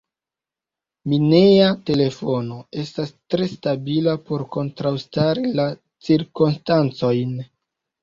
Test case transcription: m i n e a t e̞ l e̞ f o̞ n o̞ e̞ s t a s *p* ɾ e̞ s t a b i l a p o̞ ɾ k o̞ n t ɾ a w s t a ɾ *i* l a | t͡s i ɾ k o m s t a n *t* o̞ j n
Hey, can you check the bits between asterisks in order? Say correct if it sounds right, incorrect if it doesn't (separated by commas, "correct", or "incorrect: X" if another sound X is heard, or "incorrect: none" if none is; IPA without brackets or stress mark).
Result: incorrect: t, correct, incorrect: t͡s